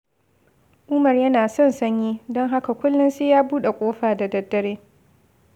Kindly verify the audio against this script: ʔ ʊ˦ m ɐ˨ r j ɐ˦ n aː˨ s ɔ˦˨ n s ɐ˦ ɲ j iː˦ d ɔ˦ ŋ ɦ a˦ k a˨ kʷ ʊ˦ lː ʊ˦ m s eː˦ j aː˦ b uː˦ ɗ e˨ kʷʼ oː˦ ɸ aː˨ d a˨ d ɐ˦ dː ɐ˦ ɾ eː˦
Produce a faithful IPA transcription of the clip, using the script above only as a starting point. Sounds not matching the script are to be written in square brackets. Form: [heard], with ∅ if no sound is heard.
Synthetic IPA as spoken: ʔ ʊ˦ m ɐ˨ r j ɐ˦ n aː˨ s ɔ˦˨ n s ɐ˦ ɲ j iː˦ d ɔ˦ ŋ ɦ a˦ k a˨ kʷ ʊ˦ lː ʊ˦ [n] s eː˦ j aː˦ b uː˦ ɗ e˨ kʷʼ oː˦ ɸ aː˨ d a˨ d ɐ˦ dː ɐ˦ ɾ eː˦

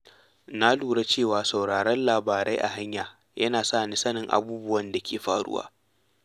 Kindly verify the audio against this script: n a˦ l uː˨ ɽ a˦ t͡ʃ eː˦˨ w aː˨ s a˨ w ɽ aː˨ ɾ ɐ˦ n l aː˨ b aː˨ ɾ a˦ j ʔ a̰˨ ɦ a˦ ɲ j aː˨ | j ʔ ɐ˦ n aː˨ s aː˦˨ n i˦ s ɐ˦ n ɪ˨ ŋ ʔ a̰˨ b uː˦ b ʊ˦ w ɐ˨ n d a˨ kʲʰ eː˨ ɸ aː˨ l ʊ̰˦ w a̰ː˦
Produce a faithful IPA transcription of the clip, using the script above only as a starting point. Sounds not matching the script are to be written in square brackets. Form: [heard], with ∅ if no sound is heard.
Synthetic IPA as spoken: n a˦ l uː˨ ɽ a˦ t͡ʃ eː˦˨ w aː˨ s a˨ w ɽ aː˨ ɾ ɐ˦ n l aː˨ b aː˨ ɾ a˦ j ʔ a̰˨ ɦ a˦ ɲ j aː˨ | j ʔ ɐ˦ n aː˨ s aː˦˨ n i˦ s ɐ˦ n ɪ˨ ŋ ʔ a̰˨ b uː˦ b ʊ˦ w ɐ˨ n d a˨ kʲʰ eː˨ ɸ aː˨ [ɽ] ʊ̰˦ w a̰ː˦

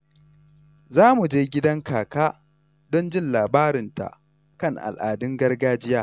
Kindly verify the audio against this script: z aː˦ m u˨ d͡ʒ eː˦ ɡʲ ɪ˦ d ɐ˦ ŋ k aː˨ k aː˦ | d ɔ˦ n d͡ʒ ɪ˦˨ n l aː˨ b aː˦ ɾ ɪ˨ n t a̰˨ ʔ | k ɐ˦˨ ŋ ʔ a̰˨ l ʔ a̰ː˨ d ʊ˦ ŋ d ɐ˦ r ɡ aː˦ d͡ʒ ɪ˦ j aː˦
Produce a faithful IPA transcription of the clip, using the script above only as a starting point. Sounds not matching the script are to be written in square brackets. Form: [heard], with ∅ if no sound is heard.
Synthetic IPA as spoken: z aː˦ m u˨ d͡ʒ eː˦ ɡʲ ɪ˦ d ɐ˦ ŋ k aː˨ k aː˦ | d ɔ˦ n d͡ʒ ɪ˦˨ n l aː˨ b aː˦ ɾ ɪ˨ n t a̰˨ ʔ | k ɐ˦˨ ŋ ʔ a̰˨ l ʔ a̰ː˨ d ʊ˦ ŋ [ɡ] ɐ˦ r ɡ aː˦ d͡ʒ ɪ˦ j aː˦

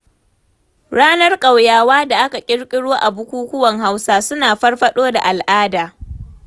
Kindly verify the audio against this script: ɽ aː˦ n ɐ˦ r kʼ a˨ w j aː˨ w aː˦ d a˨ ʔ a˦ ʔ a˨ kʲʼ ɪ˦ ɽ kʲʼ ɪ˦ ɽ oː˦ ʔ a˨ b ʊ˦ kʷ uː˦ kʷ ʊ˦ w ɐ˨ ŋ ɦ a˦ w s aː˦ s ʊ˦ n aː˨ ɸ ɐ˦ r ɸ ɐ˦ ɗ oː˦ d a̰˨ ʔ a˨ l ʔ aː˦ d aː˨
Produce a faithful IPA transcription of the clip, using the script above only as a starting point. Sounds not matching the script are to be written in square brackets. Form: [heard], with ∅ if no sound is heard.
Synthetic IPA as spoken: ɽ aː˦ n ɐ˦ r kʼ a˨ w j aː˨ w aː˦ d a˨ ʔ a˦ [k] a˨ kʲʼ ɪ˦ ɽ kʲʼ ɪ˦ ɽ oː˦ ʔ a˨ b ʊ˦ kʷ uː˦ kʷ ʊ˦ w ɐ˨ ŋ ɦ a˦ w s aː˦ s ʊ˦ n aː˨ ɸ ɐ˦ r ɸ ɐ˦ ɗ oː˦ d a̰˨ ʔ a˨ l ʔ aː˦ d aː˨

